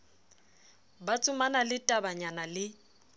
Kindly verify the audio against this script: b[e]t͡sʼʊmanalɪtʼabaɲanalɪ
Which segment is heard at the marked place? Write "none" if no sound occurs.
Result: a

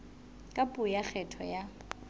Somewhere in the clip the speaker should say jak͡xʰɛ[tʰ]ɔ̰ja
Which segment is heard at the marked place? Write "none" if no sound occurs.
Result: tʰ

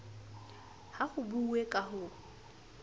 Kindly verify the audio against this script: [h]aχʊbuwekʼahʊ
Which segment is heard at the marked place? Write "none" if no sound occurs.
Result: h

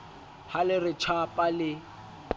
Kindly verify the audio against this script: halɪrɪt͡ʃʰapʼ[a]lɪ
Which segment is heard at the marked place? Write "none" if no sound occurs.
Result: a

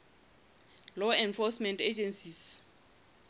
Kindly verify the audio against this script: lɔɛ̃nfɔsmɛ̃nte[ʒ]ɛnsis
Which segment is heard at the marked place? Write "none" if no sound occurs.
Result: d͡ʒ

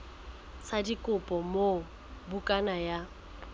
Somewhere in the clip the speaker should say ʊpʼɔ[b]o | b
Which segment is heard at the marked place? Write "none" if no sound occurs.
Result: m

